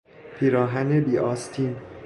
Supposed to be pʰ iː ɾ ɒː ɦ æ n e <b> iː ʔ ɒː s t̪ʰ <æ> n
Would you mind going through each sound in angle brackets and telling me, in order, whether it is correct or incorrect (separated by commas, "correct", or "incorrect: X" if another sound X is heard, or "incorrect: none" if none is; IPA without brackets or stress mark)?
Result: correct, incorrect: i